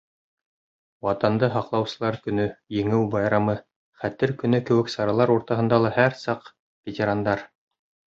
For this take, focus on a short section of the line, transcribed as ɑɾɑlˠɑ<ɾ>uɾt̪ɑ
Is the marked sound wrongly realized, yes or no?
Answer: no